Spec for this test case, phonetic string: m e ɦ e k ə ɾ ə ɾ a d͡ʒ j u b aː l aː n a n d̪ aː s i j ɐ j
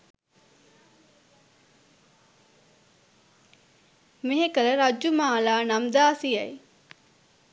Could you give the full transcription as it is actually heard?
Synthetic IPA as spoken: m e ɦ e k ə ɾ ə ɾ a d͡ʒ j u m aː l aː n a m d̪ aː s i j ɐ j